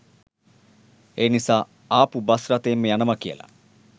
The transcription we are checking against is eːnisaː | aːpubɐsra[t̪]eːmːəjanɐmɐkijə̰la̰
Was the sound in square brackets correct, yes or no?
yes